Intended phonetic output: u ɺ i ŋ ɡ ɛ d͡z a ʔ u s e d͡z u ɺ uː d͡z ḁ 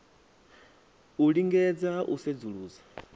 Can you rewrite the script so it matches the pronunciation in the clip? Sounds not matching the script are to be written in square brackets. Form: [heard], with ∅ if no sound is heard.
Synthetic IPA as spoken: u ɺ i ŋ ɡ ɛ d͡z a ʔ u s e d͡z u ɺ uː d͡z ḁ